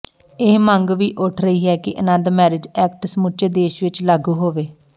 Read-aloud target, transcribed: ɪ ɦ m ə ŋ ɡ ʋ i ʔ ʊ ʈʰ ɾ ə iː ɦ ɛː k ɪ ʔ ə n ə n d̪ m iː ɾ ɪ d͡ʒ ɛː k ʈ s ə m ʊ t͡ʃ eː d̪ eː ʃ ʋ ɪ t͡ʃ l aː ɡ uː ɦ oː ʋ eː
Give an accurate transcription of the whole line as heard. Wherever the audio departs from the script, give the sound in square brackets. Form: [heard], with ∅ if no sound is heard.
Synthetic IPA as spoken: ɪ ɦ m ə ŋ ɡ ʋ [iː] ʔ ʊ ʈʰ ɾ ə iː ɦ ɛː k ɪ ʔ ə n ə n d̪ m [ɛː] ɾ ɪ d͡ʒ ɛː k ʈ s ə m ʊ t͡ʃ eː d̪ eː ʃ ʋ ɪ t͡ʃ l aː ɡ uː ɦ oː ʋ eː

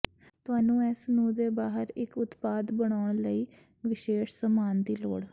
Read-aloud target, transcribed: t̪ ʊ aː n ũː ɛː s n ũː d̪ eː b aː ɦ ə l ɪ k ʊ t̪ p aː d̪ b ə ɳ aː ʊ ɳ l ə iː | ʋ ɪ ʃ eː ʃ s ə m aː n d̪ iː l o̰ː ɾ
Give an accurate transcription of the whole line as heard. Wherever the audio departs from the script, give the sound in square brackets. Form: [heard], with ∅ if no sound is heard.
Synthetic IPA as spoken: t̪ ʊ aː n ũː ɛː s n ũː d̪ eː b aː ɦ ə [ɾ] ɪ k ʊ t̪ p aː d̪ b ə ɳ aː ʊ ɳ l ə iː | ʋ ɪ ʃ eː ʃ s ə m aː n d̪ iː l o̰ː [ɽ]

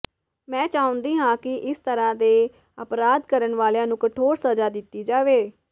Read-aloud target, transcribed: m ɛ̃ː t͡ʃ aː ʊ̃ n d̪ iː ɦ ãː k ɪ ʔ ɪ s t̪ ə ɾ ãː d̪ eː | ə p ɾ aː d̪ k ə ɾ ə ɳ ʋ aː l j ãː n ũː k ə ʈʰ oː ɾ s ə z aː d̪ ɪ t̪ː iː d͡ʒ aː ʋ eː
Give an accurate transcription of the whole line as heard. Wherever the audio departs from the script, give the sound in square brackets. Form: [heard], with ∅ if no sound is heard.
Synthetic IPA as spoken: m ɛ̃ː t͡ʃ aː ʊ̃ n d̪ iː ɦ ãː k ɪ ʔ ɪ s t̪ ə ɾ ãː d̪ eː | ə p ɾ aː d̪ k ə ɾ ə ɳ ʋ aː l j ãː n ũː k ə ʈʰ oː ɾ s ə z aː d̪ ɪ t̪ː iː d͡ʒ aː ʋ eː

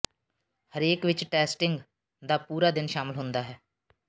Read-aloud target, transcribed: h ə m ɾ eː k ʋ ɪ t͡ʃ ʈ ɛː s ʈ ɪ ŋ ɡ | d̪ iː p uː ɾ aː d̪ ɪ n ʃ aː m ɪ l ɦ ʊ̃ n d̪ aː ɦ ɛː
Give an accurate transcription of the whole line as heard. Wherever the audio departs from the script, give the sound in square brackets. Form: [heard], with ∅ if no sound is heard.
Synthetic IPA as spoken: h ə [∅] ɾ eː k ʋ ɪ t͡ʃ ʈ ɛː s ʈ ɪ ŋ ɡ | d̪ [aː] p uː ɾ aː d̪ ɪ n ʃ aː m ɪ l ɦ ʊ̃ n d̪ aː ɦ ɛː

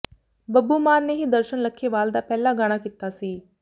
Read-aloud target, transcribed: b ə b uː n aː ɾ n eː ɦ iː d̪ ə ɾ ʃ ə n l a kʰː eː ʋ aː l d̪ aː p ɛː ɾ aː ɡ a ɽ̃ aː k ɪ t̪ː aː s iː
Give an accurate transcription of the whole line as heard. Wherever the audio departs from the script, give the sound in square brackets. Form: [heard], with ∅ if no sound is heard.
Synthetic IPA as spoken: b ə b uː [m] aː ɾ n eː ɦ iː d̪ ə ɾ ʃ ə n l [ə] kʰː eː ʋ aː l d̪ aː p ɛː [l] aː ɡ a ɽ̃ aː k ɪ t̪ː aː s iː

